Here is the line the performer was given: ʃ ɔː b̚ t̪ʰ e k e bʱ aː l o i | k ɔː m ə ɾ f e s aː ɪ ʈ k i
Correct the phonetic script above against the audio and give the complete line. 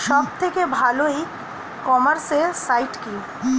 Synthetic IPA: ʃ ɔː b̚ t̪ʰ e k e bʱ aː l o i | k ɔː m ə ɾ s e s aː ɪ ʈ k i